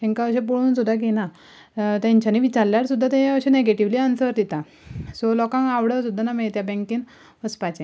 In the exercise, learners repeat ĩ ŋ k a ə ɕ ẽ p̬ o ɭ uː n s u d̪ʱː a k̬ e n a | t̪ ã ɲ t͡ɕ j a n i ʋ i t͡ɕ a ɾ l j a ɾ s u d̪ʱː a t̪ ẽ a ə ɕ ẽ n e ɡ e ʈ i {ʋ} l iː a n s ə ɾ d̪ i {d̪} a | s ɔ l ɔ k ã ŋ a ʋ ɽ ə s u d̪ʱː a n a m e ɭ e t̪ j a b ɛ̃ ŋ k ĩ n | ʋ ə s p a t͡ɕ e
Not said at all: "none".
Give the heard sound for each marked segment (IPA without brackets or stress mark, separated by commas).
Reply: ʋ, t̪